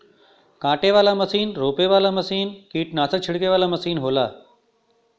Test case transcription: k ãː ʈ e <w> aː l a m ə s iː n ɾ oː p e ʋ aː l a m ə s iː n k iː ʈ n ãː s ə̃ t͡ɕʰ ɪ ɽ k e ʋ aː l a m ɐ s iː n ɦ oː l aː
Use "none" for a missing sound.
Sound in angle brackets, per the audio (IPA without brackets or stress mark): ʋ